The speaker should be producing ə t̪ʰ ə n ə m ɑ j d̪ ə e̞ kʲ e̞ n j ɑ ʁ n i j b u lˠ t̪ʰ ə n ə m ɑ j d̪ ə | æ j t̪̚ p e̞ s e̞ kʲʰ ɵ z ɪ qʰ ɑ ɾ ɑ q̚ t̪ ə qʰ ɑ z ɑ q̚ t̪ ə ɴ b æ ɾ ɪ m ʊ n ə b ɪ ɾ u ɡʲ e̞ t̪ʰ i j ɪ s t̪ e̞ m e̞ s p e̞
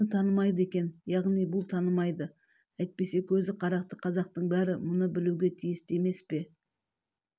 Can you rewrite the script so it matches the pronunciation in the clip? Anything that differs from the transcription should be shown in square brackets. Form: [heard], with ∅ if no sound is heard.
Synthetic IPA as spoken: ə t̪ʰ [ɑ] n ə m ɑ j d̪ ə e̞ kʲ e̞ n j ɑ ʁ n i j b [ʊ] lˠ t̪ʰ [ɑ] n ə m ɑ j d̪ ə | æ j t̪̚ p e̞ s e̞ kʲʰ ɵ z ɪ qʰ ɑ ɾ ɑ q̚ t̪ ə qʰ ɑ z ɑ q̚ t̪ ə ɴ b æ ɾ ɪ m ʊ n ə b ɪ [l] u ɡʲ e̞ t̪ʰ i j ɪ s t̪ e̞ m e̞ s p e̞